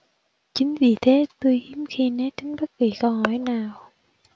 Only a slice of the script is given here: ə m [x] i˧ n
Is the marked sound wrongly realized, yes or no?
no